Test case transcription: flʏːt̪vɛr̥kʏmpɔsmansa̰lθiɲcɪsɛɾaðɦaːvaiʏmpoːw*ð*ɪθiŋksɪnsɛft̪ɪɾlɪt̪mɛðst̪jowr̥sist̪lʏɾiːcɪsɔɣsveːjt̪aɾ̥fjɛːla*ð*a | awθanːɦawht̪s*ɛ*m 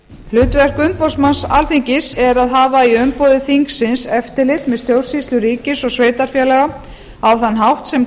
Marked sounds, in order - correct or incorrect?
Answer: correct, incorrect: ɣ, correct

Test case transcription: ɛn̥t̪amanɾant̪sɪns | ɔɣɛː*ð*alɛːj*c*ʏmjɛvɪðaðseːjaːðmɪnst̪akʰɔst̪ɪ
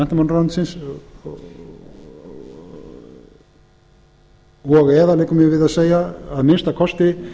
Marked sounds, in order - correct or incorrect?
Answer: correct, incorrect: k

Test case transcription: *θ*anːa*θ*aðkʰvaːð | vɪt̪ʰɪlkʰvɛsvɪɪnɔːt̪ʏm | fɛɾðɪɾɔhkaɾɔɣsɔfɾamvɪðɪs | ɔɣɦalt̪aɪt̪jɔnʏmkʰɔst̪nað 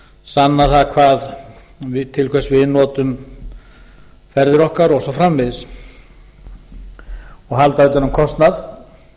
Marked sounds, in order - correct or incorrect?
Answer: incorrect: s, correct

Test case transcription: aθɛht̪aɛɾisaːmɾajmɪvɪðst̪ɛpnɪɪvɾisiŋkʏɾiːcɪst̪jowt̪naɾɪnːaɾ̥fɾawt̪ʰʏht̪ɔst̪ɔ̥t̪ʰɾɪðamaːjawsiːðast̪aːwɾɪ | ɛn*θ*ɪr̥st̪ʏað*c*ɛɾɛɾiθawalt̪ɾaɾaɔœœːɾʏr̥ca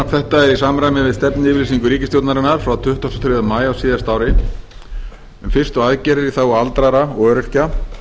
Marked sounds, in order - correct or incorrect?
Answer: incorrect: f, correct

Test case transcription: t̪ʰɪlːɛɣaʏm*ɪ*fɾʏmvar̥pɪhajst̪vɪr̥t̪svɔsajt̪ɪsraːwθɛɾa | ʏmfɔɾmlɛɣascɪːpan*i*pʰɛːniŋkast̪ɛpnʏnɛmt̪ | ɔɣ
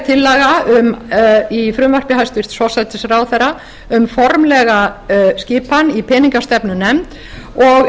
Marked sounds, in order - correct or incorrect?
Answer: incorrect: i, correct

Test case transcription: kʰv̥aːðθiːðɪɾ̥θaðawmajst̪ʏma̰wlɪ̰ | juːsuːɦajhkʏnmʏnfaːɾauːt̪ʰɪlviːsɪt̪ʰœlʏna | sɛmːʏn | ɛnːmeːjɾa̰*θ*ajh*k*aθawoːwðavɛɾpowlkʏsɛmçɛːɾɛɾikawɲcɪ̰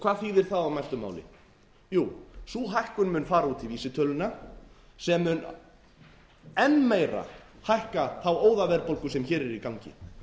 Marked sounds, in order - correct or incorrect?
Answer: incorrect: h, correct

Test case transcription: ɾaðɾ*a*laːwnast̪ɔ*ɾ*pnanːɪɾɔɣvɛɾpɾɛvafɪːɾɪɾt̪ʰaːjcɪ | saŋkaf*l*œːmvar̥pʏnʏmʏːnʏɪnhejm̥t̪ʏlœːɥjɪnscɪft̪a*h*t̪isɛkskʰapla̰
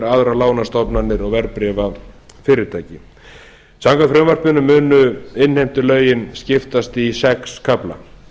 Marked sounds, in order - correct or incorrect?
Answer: correct, incorrect: none, incorrect: ɾ, incorrect: s

